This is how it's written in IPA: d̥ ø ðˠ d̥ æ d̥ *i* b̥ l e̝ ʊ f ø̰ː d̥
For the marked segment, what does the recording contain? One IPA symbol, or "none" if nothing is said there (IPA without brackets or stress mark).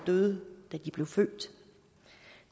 i